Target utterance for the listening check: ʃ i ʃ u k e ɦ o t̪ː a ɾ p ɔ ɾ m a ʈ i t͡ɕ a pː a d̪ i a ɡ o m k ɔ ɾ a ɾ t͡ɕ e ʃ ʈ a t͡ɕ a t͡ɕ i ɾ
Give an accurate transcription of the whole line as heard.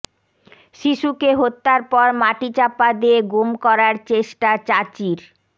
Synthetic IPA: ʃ i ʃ u k e ɦ o t̪ː a ɾ p ɔ ɾ m a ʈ i t͡ɕ a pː a d̪ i e ɡ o m k ɔ ɾ a ɾ t͡ɕ e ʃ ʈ a t͡ɕ a t͡ɕ i ɾ